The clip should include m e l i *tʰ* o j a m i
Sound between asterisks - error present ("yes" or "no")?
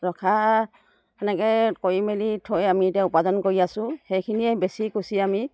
no